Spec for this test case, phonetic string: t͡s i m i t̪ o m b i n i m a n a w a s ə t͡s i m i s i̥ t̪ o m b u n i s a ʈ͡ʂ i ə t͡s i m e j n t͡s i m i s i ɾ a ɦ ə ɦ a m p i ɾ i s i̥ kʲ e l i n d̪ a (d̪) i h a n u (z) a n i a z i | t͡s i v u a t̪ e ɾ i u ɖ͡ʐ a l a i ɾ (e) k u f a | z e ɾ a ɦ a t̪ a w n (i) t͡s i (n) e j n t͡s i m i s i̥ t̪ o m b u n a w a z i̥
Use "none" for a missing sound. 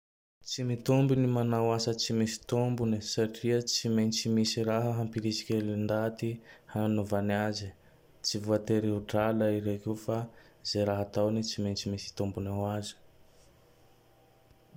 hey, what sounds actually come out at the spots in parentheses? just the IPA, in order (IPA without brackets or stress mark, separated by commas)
t̪, v, e, i, m